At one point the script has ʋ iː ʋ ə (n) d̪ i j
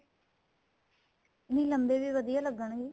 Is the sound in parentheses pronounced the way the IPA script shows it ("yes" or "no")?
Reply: no